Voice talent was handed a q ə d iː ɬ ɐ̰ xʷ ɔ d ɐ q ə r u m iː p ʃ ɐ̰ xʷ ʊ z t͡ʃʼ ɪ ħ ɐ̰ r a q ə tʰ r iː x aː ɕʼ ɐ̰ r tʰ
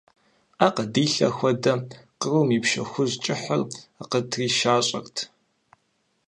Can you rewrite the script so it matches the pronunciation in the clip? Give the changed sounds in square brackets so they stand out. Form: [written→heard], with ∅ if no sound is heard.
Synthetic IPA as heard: a q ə d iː ɬ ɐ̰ xʷ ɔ d ɐ q ə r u m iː p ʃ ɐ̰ xʷ ʊ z t͡ʃʼ ɪ ħ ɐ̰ r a q ə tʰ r iː [x→ʃ] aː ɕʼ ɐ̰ r tʰ